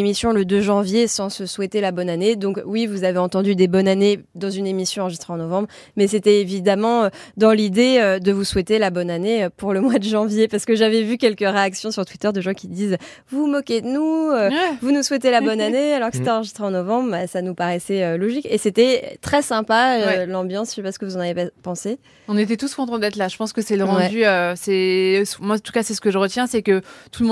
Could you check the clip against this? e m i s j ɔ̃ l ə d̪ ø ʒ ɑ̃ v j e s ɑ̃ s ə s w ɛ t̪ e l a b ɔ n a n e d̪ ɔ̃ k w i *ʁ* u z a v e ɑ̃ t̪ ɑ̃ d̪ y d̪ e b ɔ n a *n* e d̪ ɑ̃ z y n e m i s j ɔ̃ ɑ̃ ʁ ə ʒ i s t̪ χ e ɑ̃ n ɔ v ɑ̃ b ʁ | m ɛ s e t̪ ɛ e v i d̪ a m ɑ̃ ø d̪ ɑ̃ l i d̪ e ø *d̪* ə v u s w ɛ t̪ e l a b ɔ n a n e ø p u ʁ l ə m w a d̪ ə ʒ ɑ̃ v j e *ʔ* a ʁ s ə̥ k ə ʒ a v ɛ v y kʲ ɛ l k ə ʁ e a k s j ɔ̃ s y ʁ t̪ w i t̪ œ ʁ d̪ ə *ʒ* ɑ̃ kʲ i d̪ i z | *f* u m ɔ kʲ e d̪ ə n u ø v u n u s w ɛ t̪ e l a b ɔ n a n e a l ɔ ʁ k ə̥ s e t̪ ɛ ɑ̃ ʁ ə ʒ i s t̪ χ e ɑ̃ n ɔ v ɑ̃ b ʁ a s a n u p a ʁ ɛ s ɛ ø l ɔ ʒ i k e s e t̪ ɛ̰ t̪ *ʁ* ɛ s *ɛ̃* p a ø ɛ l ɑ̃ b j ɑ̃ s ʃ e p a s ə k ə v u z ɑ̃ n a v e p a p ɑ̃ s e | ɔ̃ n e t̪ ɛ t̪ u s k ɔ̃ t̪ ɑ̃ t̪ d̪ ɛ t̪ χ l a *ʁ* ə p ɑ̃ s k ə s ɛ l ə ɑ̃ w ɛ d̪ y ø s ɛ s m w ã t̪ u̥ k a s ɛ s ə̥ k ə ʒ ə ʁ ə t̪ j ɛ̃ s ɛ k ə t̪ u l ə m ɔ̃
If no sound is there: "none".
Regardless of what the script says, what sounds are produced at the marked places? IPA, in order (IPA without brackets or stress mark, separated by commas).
v, n, d̪, p, ʒ, v, χ, ɛ̃, ʒ